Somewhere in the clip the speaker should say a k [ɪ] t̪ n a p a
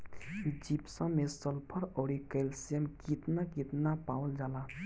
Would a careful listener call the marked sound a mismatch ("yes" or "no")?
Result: yes